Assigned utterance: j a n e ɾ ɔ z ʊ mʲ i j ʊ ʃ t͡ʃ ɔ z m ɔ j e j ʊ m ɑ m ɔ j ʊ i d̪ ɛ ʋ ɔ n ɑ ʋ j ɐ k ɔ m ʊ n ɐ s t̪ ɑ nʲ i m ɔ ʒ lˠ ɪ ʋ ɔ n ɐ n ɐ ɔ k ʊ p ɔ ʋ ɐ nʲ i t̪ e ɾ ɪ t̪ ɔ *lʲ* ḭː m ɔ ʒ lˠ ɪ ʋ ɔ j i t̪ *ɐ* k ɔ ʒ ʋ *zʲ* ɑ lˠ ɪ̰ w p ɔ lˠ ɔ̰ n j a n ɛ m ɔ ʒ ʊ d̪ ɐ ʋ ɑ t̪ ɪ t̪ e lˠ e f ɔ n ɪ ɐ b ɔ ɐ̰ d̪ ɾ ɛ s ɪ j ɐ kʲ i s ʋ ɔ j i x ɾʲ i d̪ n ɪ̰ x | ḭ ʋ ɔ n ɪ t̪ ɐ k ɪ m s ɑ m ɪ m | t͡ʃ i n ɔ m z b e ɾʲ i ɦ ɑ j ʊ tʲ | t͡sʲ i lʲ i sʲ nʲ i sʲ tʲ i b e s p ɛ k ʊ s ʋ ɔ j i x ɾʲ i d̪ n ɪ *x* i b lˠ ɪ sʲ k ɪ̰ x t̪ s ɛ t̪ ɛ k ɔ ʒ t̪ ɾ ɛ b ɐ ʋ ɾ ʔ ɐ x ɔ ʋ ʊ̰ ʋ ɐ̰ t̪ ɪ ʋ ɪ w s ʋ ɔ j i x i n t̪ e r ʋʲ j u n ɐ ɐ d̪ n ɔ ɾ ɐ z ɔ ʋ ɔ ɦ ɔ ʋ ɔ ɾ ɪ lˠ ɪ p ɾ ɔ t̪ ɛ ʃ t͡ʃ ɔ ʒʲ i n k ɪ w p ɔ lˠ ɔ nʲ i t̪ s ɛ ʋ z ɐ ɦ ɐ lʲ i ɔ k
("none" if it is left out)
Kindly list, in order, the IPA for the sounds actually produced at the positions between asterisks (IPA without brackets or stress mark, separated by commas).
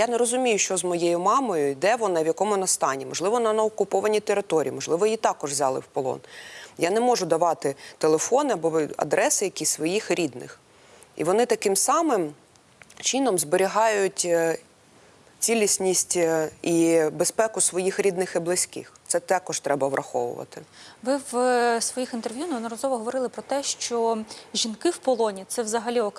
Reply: ɾʲ, ɑ, zʲ, x